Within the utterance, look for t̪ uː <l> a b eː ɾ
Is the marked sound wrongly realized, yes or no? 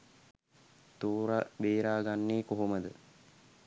yes